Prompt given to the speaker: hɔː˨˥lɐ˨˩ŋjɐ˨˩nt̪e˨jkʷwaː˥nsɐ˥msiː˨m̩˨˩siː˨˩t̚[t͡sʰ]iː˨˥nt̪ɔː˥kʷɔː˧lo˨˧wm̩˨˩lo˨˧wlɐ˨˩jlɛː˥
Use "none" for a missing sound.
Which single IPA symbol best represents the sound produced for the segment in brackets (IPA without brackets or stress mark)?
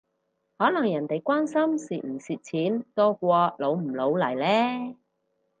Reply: t͡sʰ